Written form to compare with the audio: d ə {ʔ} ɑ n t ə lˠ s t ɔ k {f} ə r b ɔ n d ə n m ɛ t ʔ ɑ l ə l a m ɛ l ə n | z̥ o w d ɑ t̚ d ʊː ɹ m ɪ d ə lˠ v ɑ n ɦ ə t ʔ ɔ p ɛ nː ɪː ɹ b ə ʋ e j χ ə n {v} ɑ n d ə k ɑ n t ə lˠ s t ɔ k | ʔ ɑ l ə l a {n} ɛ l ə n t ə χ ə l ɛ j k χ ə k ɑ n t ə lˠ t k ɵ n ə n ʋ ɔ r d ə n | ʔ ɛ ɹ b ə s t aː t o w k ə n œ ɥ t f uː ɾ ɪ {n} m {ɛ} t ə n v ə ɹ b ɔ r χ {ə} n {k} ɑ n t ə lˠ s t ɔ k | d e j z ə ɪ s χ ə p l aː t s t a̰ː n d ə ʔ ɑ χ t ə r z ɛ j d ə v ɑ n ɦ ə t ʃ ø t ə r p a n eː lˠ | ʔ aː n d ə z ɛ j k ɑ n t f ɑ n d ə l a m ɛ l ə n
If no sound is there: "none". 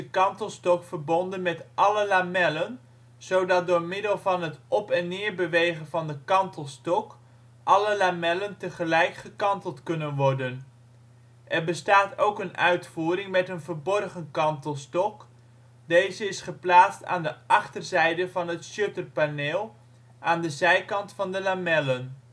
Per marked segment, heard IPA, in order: k, f, v, m, ŋ, ɛ, ə, k

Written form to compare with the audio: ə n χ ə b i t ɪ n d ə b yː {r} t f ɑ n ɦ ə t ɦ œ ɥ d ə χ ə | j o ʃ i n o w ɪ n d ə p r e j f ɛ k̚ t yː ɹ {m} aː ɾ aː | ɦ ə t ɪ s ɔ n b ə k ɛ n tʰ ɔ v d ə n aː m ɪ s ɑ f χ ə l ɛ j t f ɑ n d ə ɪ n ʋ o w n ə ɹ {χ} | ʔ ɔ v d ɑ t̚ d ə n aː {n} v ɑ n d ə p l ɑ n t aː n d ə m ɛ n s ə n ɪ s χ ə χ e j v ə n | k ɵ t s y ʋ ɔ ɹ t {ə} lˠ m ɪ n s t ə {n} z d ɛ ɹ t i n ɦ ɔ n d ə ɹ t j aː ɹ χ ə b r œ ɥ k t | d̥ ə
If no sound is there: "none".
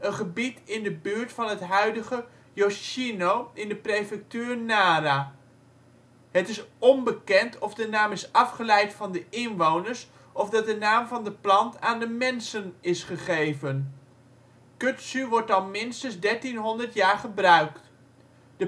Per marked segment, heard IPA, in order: ɹ, n, s, m, ɑ, n

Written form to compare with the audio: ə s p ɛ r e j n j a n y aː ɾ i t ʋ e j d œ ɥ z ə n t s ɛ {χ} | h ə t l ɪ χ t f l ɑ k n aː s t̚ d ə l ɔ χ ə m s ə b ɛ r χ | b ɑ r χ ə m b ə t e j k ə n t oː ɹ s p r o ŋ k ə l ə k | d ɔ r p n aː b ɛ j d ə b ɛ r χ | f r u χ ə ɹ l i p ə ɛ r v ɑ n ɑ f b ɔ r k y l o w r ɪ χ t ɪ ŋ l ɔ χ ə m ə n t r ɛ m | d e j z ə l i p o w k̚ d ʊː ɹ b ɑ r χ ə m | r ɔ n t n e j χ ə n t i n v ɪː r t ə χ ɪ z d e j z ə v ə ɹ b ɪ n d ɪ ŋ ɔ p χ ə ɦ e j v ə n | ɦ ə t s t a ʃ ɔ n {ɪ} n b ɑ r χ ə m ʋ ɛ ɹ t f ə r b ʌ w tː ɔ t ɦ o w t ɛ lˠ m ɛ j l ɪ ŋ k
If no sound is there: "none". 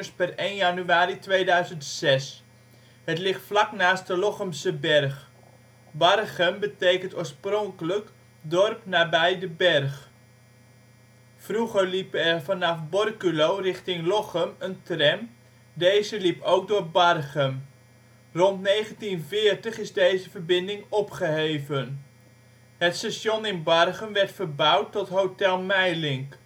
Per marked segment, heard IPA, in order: s, ɪ

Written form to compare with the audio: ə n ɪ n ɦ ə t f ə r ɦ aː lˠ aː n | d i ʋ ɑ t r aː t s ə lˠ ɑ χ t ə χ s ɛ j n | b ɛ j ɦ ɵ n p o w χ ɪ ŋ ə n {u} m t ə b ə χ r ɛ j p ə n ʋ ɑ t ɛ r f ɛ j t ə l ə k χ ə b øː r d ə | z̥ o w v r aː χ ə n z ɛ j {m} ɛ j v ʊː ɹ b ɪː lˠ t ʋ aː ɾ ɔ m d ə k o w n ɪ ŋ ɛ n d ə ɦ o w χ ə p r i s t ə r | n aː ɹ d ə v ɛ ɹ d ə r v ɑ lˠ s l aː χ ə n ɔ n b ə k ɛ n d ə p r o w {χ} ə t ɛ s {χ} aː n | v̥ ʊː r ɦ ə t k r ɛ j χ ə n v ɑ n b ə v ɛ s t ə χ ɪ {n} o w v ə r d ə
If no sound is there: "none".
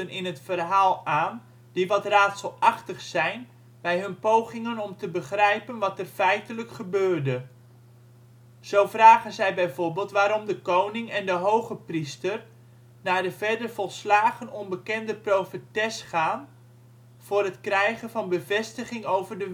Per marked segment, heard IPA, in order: ɔ, b, f, χ, ŋ

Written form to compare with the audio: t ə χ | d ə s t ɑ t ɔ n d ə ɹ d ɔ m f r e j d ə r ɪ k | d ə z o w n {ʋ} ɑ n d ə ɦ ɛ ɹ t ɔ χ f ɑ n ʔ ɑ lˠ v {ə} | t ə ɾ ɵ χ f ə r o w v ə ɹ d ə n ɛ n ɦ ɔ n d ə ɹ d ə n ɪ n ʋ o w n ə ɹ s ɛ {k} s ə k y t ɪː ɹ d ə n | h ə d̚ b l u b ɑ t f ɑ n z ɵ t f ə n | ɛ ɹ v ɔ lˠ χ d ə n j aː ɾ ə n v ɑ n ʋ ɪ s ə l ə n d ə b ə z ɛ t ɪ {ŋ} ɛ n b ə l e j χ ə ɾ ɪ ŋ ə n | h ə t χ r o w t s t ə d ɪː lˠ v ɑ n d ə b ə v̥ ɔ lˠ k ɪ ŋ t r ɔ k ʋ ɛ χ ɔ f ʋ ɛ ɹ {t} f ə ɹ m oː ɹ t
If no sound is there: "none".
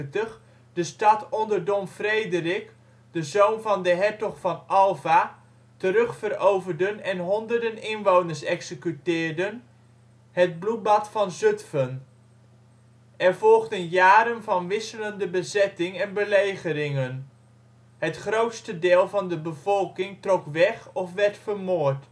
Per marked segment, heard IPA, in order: v, a, k, ŋ, t

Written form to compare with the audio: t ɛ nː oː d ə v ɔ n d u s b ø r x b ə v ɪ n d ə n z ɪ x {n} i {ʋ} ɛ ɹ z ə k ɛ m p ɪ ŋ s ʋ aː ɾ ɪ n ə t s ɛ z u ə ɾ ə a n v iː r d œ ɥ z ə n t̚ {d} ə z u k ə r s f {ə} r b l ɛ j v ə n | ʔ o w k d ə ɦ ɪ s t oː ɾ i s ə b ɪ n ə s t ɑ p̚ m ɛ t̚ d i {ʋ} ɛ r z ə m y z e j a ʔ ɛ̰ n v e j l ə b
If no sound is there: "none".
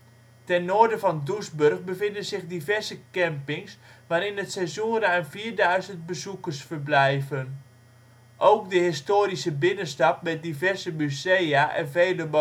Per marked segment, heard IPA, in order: d, v, b, ə, v

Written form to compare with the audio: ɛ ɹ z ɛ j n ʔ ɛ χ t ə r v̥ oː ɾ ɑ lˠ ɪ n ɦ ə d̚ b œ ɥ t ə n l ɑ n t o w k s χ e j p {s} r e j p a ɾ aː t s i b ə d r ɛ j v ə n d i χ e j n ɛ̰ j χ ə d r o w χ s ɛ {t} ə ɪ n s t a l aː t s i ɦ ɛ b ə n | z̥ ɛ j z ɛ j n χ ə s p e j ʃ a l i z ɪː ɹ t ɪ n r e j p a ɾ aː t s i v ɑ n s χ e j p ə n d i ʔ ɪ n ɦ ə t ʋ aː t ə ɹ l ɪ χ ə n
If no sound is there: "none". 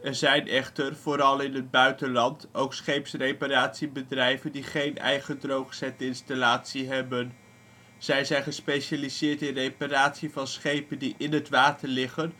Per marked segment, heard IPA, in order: s, t

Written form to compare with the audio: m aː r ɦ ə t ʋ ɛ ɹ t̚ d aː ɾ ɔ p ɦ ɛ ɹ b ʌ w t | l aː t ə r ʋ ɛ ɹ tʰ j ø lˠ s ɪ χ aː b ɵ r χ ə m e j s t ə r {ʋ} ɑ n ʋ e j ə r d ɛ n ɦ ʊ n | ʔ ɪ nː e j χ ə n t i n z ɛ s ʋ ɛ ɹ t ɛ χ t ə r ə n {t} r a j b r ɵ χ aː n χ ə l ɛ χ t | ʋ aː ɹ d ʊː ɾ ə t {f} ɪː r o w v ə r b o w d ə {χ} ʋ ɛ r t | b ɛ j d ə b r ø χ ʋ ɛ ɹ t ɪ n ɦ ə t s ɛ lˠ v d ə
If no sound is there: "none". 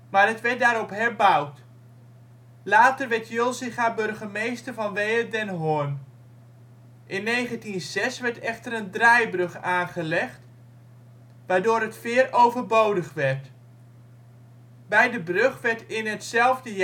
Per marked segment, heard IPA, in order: v, d, f, χ

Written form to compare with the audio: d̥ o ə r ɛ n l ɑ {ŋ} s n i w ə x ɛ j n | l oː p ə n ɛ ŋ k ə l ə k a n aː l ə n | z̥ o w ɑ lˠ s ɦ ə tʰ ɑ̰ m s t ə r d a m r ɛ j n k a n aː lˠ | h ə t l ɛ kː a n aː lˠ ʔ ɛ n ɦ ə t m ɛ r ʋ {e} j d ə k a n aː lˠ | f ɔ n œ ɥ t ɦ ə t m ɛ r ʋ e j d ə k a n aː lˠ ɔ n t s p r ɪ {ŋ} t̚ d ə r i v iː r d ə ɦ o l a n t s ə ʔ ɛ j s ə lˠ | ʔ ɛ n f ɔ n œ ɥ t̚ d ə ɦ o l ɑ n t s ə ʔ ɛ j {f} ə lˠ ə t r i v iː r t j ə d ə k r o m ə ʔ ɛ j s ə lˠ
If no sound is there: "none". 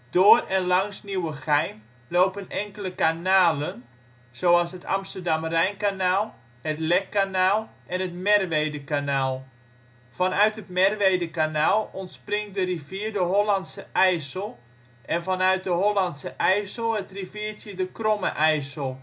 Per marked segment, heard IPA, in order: ŋ, e, ŋ, s

